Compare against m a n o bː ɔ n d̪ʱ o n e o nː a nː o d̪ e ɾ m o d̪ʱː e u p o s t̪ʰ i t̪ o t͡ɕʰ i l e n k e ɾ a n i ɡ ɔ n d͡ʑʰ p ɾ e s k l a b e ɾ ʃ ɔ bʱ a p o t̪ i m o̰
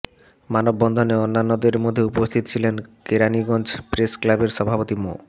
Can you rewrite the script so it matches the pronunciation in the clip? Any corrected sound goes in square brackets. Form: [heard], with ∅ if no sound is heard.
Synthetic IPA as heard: m a n o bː ɔ n d̪ʱ o n e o nː a nː o d̪ e ɾ m o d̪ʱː e u p o s t̪ʰ i t̪ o t͡ɕʰ i l e n k e ɾ a n i ɡ ɔ n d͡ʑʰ p ɾ e s k l a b e ɾ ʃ ɔ bʱ a p o t̪ i m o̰